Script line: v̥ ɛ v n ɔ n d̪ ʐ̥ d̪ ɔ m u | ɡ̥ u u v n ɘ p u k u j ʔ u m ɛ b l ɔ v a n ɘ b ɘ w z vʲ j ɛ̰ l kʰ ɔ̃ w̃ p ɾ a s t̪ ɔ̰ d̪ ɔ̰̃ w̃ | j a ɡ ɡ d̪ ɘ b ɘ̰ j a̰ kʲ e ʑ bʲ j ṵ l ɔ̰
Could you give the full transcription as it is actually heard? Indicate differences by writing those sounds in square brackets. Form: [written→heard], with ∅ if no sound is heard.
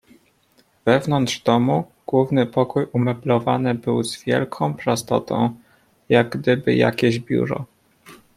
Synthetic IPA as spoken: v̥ ɛ v n ɔ n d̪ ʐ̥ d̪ ɔ m u | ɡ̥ [u→w] u v n ɘ p [u→ɔ] k u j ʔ u m ɛ b l ɔ v a n ɘ b ɘ w z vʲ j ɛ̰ l kʰ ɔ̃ w̃ p ɾ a s t̪ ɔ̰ [d̪→t̪] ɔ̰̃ w̃ | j a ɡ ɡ d̪ ɘ b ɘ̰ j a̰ kʲ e ʑ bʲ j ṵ [l→ɾ] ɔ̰